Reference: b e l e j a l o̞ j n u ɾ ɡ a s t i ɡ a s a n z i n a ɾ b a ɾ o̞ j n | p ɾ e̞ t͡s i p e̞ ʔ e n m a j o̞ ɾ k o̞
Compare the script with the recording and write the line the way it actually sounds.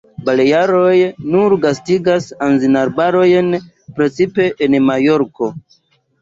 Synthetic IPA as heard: b a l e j a ɾ o̞ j n u ɾ ɡ a s t i ɡ a s a n z i n a ɾ b a ɾ o̞ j n | p ɾ e̞ t͡s i p e̞ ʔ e n m a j o̞ ɾ k o̞